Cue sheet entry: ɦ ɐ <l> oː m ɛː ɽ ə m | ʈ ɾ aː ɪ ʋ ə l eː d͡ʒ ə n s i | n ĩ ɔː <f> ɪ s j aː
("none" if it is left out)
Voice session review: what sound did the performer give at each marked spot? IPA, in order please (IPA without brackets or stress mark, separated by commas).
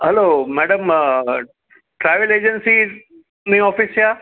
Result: l, f